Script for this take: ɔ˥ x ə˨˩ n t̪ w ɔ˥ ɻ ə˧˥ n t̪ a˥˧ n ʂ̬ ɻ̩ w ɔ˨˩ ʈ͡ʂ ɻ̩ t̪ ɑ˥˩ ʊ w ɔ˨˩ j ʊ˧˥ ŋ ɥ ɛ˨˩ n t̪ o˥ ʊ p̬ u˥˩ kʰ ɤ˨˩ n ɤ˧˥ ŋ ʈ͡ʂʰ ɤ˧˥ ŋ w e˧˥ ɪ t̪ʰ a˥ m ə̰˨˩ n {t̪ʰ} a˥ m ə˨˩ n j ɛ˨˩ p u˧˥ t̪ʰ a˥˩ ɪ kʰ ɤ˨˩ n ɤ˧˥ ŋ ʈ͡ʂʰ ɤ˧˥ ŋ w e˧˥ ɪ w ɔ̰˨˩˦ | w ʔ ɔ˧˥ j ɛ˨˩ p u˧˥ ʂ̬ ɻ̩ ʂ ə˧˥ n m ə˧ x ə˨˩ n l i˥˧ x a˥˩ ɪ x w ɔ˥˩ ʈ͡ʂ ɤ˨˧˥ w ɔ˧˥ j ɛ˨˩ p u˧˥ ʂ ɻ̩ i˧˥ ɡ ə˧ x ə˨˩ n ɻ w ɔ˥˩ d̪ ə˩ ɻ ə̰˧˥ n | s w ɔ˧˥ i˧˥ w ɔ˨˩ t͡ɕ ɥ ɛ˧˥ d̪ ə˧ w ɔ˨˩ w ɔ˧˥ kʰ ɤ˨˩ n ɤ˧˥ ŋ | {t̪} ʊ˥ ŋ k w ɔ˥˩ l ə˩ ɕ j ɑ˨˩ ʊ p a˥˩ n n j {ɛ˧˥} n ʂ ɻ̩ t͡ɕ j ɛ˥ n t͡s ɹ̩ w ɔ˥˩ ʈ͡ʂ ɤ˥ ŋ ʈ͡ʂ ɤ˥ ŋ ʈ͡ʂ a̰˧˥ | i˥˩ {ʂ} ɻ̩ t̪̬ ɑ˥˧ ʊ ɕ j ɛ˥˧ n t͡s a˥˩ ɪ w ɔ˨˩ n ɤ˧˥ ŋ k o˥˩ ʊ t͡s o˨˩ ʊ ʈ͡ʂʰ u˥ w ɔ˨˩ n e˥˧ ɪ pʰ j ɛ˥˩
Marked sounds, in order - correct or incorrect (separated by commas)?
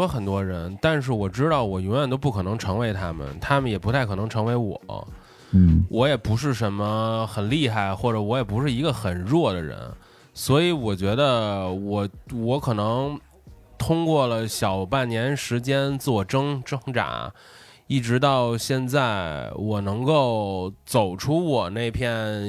correct, incorrect, correct, incorrect